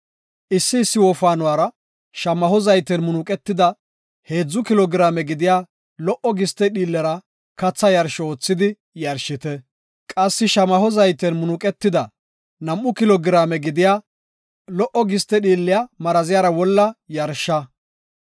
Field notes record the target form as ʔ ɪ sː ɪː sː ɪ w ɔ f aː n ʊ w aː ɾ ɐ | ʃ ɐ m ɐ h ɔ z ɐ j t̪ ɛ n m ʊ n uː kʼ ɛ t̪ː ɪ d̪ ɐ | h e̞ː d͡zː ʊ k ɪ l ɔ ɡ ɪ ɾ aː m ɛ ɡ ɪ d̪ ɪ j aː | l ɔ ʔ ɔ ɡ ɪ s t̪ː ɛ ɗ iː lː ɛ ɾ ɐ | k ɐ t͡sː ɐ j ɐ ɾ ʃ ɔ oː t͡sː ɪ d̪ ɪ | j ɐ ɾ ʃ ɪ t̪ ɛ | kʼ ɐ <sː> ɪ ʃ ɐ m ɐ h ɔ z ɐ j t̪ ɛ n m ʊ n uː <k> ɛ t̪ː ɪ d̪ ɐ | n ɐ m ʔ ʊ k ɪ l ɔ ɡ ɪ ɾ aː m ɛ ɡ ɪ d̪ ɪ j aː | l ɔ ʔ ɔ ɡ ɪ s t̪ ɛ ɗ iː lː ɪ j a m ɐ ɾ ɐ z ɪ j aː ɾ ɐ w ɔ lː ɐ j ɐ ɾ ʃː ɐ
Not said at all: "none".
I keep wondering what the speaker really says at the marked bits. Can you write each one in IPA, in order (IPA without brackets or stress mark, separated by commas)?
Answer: sː, kʼ